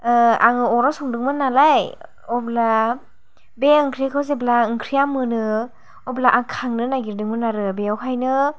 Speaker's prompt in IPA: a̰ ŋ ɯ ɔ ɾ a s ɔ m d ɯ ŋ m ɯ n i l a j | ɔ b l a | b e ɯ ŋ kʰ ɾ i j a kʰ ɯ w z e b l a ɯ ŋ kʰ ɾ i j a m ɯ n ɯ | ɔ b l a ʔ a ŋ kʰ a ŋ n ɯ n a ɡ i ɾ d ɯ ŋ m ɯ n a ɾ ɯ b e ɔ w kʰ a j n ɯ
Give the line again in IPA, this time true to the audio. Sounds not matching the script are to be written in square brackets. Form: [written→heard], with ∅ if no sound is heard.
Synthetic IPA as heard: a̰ ŋ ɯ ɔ ɾ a s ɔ [m→ŋ] d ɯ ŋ m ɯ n [i→a] l a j | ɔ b l a | b e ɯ ŋ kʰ ɾ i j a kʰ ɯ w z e b l a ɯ ŋ kʰ ɾ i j a m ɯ n ɯ | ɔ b l a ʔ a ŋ kʰ a ŋ n ɯ n a ɡ i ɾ d ɯ ŋ m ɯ n a ɾ ɯ b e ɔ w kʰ a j n ɯ